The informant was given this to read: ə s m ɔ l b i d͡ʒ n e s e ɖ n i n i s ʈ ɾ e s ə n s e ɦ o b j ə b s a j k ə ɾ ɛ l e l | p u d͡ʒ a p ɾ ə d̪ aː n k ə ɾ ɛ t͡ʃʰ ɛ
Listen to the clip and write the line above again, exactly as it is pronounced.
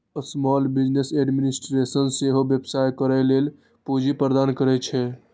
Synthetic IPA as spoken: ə s m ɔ l b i d͡ʒ n e s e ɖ m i n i s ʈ ɾ e s ə n s e ɦ o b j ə b s a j k ə ɾ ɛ l e l | p u d͡ʒ i p ɾ ə d̪ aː n k ə ɾ ɛ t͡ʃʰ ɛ